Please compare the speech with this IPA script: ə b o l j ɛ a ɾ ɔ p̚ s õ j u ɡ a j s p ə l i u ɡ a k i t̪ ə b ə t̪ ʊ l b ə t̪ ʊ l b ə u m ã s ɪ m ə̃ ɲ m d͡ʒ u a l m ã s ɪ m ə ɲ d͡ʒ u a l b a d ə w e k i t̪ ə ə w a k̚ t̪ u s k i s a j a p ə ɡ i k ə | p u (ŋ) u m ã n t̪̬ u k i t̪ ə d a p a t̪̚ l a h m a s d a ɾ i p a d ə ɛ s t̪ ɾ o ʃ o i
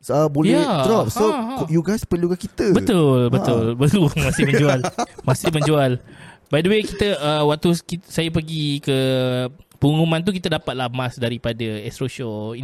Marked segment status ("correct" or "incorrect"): correct